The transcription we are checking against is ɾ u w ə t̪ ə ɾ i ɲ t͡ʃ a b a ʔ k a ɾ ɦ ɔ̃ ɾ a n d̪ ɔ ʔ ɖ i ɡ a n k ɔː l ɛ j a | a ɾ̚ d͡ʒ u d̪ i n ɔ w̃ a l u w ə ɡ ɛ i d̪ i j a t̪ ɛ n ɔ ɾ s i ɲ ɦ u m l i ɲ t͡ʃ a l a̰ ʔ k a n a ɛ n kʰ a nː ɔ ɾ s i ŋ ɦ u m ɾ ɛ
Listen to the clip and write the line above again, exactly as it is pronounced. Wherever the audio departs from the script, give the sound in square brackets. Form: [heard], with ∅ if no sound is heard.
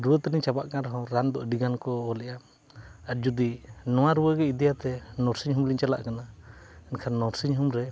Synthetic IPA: ɾ u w ə t̪ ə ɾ i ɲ t͡ʃ a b a ʔ k a ɾ ɦ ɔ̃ ɾ a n d̪ ɔ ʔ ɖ i ɡ a n k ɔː l ɛ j a | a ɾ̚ d͡ʒ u d̪ i n ɔ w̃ a [ɾ] u w ə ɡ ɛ i d̪ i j a t̪ ɛ n ɔ ɾ s i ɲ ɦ u m l i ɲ t͡ʃ a l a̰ ʔ k a n a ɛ n kʰ a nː ɔ ɾ s i [ɲ] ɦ u m ɾ ɛ